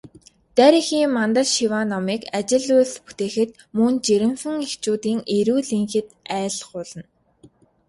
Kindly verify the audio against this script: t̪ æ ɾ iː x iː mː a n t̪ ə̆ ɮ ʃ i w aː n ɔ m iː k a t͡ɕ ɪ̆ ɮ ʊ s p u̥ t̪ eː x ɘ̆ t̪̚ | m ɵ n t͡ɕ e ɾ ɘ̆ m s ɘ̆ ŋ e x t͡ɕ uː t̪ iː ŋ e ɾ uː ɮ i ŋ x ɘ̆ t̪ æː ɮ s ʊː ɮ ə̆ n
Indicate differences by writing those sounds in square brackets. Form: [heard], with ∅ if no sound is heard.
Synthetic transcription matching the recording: t̪ æ ɾ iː x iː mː a n t̪ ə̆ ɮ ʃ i w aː n ɔ m iː k a t͡ɕ ɪ̆ ɮ ʊ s p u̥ t̪ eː x ɘ̆ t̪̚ | m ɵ n t͡ɕ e ɾ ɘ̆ m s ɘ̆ ŋ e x t͡ɕ uː t̪ iː ŋ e ɾ uː ɮ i ŋ x ɘ̆ t̪ æː ɮ [χ] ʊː ɮ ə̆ n